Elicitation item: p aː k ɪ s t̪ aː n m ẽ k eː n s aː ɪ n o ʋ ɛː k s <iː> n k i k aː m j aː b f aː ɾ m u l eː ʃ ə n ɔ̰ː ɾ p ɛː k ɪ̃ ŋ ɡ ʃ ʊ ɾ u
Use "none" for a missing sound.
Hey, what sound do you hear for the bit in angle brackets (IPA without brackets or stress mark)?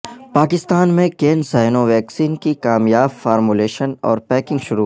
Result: iː